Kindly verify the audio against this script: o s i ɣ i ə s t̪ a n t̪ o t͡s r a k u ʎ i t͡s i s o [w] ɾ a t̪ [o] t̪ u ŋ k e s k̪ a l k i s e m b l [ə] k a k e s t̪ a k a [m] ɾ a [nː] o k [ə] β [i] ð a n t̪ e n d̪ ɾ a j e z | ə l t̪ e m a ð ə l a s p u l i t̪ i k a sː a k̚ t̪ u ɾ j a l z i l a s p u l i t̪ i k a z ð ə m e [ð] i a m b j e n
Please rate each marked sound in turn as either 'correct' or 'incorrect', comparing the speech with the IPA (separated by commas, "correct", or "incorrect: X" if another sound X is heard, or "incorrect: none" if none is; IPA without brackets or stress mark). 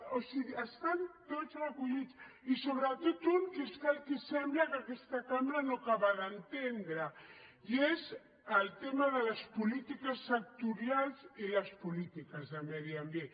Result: incorrect: β, correct, incorrect: a, correct, incorrect: n, incorrect: a, incorrect: a, correct